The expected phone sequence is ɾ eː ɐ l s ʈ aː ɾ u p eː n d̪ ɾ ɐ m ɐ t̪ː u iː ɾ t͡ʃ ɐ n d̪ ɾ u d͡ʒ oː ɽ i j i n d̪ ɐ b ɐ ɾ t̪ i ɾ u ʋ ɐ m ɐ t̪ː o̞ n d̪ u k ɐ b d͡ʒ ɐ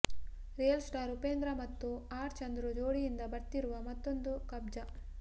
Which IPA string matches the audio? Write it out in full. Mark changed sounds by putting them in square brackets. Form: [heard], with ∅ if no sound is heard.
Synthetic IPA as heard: ɾ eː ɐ l s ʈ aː ɾ u p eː n d̪ ɾ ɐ m ɐ t̪ː u [aː] ɾ t͡ʃ ɐ n d̪ ɾ u d͡ʒ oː ɽ i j i n d̪ ɐ b ɐ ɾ t̪ i ɾ u ʋ ɐ m ɐ t̪ː o̞ n d̪ u k ɐ b d͡ʒ ɐ